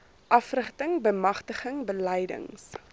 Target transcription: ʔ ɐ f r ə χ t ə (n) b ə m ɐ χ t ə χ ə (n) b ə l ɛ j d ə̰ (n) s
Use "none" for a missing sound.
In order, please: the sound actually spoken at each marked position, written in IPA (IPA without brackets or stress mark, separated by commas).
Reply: ŋ, ŋ, ŋ